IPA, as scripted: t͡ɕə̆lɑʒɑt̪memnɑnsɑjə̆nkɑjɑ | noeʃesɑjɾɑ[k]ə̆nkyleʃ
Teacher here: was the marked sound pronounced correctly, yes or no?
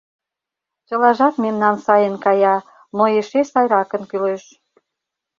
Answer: yes